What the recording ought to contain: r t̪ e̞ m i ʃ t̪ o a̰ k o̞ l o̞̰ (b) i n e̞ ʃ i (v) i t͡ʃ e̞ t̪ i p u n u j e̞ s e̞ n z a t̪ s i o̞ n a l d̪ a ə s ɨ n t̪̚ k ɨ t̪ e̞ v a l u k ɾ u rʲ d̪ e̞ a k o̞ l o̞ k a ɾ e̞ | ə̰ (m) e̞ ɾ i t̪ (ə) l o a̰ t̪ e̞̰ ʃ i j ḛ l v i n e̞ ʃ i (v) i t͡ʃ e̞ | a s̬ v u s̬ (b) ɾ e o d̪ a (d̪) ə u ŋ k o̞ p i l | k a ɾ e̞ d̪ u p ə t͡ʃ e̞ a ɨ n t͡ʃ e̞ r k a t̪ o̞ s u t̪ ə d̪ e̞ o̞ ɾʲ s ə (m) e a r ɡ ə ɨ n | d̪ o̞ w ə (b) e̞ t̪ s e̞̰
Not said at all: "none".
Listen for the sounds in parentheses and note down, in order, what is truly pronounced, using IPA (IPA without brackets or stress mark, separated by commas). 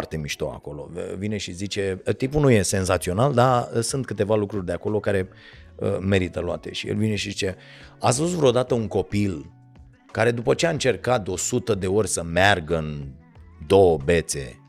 v, z, m, ə, z, v, t̪, m, b